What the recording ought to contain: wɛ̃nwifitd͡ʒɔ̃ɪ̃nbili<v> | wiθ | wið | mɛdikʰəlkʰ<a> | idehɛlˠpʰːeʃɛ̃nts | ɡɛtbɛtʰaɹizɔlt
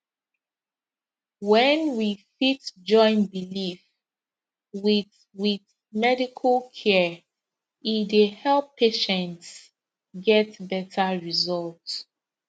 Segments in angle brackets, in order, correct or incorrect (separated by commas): incorrect, incorrect